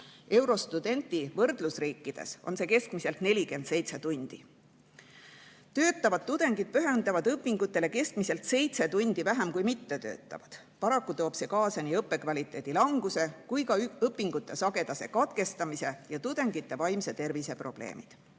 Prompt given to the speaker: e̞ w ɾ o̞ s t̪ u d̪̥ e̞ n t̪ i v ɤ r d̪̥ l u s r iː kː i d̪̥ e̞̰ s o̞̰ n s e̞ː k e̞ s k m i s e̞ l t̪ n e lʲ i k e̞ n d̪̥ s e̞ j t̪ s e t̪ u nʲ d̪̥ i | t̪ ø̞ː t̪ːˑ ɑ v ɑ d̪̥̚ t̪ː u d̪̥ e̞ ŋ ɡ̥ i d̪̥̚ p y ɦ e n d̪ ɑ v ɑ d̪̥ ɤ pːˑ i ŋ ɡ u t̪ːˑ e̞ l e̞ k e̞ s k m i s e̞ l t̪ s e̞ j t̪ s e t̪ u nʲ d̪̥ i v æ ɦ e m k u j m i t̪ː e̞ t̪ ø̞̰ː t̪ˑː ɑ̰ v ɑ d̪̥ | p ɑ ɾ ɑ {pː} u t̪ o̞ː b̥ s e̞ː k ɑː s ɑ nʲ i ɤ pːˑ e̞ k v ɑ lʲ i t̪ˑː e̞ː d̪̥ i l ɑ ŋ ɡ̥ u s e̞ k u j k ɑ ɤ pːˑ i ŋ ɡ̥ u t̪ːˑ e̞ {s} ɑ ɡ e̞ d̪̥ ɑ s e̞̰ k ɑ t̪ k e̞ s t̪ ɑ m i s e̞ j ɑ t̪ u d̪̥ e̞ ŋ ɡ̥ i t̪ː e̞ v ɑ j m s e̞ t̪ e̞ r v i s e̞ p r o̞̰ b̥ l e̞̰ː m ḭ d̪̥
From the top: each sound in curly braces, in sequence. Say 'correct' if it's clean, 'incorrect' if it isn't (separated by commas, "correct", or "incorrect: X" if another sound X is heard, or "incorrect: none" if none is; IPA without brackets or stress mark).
incorrect: kː, correct